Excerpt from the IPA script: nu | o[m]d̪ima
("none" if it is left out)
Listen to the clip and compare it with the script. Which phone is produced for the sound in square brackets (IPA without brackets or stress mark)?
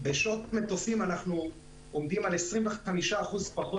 m